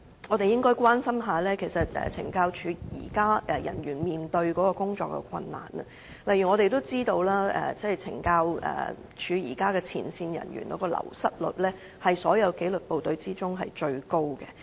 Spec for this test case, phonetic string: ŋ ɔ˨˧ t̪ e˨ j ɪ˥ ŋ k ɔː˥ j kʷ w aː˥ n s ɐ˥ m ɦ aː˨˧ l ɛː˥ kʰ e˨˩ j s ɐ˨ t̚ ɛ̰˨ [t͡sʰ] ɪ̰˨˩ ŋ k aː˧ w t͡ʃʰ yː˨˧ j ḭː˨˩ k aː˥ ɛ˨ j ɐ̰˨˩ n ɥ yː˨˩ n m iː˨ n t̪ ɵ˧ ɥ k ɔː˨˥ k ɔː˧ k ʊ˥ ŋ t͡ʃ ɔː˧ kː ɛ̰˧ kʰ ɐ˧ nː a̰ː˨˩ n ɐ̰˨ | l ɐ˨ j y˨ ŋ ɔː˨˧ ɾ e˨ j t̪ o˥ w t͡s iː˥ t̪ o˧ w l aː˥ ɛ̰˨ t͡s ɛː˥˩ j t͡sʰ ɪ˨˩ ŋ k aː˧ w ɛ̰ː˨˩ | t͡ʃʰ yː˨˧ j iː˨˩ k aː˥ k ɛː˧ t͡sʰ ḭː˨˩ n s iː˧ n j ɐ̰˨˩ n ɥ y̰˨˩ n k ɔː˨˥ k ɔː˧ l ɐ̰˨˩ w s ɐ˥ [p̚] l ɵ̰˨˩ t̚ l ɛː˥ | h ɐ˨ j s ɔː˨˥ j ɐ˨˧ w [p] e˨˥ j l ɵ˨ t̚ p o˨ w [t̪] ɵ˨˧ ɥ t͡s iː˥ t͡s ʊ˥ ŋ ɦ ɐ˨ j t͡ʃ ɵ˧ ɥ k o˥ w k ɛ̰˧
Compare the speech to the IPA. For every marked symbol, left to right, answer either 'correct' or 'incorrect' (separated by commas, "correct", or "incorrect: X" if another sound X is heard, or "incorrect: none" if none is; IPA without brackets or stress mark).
correct, incorrect: t̚, incorrect: k, correct